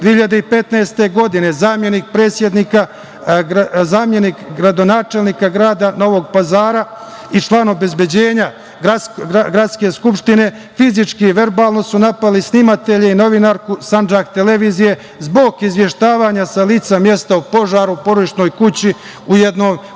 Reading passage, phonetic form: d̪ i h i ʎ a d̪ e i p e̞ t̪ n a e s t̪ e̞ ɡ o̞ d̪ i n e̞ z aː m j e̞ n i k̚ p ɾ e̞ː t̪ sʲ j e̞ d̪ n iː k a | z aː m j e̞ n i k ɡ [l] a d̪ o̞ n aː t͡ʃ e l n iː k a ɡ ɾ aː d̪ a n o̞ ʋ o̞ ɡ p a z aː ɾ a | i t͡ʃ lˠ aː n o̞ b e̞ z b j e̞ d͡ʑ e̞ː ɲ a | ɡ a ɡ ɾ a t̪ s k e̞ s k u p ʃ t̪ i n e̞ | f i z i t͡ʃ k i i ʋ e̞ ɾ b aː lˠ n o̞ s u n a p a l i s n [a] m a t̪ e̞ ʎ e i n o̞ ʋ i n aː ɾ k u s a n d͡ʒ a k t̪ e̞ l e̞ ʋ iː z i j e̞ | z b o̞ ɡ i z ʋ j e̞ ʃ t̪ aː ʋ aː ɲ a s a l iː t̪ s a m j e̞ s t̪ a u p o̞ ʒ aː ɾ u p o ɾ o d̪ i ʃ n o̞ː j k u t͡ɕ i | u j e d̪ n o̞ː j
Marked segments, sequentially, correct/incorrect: incorrect: ɾ, incorrect: i

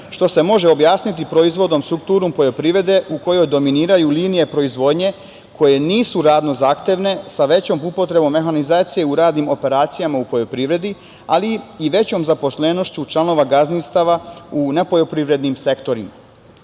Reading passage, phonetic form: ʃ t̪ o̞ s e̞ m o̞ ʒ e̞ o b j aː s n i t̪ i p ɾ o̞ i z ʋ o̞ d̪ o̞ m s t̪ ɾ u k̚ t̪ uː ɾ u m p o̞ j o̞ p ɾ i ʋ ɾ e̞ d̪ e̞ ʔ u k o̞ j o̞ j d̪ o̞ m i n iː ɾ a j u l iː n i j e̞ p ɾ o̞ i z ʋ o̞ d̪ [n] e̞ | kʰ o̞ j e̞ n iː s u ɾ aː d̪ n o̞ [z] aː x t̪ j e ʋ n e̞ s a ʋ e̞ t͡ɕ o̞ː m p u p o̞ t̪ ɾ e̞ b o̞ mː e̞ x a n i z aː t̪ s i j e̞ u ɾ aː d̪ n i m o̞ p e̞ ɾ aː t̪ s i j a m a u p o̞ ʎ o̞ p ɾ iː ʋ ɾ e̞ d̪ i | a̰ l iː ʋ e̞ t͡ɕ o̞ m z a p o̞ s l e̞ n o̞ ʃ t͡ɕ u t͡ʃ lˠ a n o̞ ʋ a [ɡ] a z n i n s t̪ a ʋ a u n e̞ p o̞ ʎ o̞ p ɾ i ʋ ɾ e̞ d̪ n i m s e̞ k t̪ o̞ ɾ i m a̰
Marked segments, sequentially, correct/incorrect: incorrect: ɲ, correct, correct

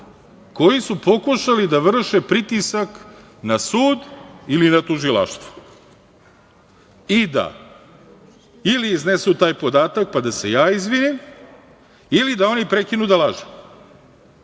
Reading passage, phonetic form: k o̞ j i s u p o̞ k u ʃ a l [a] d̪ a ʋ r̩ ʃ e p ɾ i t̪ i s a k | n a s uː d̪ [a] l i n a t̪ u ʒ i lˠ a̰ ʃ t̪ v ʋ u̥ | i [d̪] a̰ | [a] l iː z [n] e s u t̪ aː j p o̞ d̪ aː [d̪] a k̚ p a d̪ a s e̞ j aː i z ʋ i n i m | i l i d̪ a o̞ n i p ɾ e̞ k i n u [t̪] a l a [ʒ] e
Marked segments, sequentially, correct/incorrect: incorrect: i, incorrect: i, correct, incorrect: i, correct, incorrect: t̪, incorrect: d̪, correct

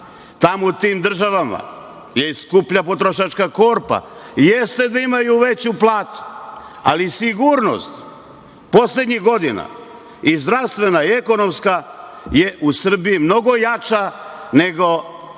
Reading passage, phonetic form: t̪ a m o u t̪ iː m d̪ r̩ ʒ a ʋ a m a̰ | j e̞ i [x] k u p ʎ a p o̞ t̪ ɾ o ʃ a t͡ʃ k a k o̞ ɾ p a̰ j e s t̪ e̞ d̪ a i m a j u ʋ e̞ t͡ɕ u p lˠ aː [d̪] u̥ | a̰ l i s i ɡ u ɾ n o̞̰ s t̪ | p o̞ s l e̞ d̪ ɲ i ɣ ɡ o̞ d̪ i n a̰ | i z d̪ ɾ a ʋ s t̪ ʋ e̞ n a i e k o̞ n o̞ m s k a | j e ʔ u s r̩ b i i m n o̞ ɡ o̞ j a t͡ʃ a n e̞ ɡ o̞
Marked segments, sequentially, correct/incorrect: incorrect: s, incorrect: t̪

